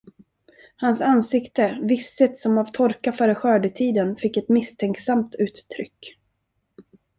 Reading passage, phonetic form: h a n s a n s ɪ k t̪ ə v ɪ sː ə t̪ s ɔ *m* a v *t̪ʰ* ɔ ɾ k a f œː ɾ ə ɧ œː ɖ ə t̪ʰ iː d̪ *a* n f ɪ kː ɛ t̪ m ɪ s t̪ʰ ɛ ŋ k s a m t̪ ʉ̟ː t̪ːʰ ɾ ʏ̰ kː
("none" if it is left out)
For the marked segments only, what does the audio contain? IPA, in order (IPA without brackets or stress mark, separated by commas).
m, t̪ʰ, ə